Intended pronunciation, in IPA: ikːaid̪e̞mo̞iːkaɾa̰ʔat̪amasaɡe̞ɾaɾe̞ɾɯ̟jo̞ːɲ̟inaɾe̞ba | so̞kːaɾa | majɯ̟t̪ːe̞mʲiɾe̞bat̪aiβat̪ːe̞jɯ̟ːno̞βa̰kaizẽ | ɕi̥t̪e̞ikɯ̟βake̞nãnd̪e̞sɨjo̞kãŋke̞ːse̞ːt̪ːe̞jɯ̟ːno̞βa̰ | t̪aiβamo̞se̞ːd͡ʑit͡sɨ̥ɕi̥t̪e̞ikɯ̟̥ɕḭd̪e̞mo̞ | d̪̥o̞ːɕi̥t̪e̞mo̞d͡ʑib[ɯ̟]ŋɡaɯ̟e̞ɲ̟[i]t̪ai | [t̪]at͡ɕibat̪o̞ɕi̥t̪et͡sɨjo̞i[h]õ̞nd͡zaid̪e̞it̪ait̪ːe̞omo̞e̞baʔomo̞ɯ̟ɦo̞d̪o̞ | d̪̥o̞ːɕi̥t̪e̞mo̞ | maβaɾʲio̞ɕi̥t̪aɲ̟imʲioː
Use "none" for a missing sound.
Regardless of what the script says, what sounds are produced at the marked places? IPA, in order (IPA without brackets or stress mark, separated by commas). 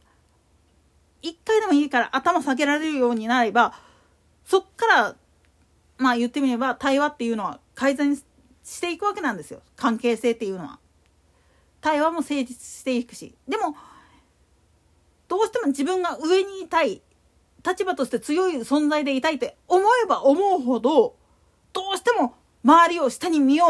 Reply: ɯ̟̃, iː, t̪, s